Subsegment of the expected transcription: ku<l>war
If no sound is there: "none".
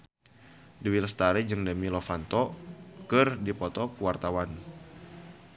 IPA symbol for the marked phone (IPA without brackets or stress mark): none